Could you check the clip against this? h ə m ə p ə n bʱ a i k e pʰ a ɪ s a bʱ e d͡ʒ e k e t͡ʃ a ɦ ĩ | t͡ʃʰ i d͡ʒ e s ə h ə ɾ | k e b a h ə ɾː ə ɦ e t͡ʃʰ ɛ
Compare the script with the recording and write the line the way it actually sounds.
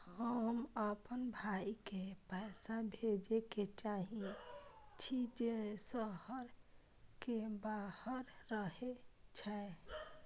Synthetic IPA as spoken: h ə m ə p ə n bʱ a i k e p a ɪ s a bʱ e d͡ʒ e k e t͡ʃ a ɦ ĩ | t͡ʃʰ i d͡ʒ e s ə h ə ɾ | k e b a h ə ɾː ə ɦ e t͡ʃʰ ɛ